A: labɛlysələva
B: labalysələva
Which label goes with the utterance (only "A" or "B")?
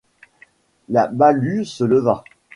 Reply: B